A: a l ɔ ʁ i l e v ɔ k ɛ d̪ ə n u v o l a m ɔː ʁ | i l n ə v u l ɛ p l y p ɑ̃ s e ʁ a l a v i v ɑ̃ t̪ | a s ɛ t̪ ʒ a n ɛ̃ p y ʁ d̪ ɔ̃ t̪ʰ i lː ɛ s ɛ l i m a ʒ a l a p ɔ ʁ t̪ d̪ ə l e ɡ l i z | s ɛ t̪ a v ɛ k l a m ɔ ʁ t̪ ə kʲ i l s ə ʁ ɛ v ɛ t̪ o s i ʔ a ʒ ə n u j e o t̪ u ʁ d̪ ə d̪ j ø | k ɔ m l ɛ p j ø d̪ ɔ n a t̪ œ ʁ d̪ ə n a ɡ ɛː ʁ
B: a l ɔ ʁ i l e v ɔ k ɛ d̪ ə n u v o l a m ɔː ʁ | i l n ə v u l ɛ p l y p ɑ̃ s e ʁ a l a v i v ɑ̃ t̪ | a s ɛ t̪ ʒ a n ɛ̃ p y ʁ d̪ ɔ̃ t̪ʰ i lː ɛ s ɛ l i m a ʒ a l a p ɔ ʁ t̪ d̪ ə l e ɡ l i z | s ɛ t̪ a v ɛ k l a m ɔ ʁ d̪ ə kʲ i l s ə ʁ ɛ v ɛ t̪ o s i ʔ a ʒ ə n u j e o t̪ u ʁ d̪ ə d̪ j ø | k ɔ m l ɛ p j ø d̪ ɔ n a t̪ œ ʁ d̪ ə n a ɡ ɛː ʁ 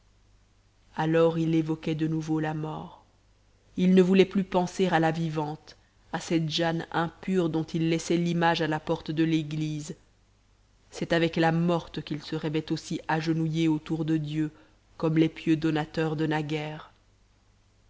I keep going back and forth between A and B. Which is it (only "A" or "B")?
A